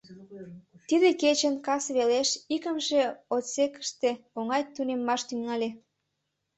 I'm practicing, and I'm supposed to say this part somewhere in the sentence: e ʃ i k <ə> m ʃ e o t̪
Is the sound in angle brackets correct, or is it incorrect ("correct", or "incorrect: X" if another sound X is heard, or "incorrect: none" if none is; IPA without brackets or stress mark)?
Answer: correct